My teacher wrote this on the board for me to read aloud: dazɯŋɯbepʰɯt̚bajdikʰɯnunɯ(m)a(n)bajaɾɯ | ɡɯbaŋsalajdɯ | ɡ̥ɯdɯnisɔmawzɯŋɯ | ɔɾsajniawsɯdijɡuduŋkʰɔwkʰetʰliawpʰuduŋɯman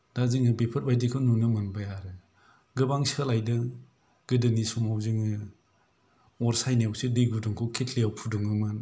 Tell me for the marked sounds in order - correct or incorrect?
correct, correct

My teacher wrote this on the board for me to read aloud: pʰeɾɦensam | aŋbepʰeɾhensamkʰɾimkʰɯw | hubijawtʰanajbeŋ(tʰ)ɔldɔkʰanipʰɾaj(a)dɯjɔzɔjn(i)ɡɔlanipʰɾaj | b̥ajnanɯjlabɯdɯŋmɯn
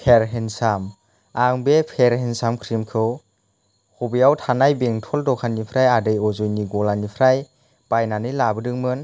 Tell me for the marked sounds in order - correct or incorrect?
correct, correct, correct

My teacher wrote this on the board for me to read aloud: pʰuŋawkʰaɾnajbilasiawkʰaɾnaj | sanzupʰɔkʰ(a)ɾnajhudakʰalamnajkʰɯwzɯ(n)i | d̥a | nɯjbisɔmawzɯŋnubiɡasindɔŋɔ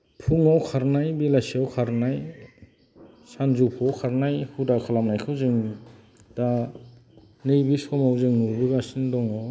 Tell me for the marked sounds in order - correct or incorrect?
correct, incorrect

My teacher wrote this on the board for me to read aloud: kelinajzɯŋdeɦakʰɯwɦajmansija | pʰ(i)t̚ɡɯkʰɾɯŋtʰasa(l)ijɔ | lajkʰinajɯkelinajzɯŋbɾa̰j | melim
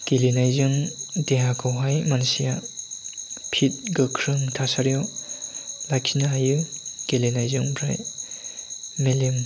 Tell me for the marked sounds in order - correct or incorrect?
correct, incorrect

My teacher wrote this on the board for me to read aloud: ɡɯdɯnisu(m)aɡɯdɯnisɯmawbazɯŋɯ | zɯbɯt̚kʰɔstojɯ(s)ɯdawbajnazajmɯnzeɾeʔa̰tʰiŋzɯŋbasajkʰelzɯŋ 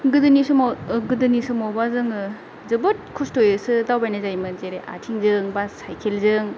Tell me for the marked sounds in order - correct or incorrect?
correct, correct

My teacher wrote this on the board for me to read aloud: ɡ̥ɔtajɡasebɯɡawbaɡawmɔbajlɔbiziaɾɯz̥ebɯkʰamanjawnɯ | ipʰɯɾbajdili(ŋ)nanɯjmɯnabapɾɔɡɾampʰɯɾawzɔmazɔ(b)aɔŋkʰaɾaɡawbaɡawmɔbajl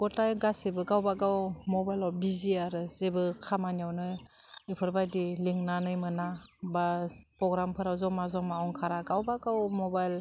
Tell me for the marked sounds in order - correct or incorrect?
correct, incorrect

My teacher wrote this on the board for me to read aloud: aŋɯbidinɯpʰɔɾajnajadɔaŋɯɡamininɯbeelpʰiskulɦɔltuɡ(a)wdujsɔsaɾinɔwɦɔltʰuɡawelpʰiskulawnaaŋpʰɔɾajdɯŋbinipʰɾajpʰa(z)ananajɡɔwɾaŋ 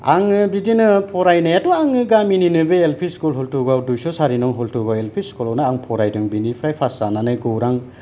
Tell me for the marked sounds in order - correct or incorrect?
correct, incorrect

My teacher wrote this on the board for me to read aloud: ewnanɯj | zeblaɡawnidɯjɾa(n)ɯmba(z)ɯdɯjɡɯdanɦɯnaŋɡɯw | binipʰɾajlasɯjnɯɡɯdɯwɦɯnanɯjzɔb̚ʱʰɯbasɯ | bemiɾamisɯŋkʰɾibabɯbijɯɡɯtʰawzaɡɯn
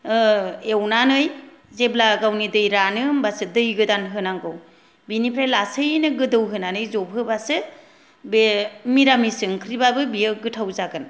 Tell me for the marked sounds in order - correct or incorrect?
correct, incorrect

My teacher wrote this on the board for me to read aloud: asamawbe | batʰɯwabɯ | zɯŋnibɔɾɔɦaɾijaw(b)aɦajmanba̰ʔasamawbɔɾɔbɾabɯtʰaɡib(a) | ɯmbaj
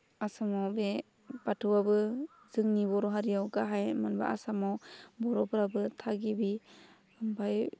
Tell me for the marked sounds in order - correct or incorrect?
incorrect, incorrect

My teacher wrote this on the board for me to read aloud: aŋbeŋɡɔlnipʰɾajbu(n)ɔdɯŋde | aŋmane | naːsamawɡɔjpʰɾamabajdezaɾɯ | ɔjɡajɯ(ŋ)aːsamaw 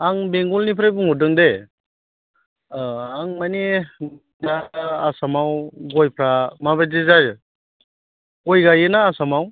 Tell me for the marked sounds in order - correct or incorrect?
incorrect, incorrect

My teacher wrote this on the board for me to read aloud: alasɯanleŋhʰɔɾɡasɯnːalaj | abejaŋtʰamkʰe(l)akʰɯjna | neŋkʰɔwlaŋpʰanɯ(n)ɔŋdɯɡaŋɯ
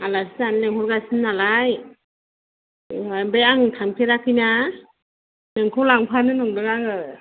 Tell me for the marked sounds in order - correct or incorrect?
incorrect, correct

